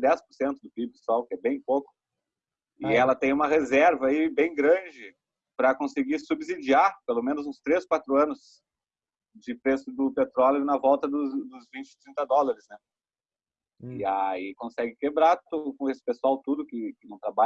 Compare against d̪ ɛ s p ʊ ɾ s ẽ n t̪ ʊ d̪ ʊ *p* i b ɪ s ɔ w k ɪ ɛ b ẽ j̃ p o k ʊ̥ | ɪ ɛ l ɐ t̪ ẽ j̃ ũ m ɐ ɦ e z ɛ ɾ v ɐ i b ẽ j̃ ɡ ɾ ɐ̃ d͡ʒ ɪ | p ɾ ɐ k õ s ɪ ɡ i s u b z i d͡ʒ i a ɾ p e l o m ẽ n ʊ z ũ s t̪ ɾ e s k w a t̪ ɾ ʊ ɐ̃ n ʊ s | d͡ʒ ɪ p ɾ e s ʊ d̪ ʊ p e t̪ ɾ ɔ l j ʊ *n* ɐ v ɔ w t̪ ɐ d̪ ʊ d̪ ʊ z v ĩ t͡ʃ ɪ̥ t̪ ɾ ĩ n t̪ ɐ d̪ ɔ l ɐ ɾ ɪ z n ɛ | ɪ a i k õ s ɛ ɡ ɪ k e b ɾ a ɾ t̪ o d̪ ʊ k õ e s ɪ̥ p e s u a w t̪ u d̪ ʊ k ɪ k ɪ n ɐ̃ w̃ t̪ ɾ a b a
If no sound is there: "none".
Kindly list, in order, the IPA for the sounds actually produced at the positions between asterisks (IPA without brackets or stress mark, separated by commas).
p, n